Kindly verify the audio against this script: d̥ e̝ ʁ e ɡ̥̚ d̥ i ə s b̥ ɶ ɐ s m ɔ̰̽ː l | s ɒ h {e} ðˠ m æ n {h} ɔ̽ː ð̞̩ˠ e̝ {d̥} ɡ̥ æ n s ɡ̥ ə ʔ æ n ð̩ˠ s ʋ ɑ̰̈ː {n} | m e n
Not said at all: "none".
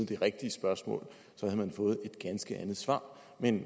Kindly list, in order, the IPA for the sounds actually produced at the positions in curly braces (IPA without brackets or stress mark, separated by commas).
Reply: æ, f, d̥, none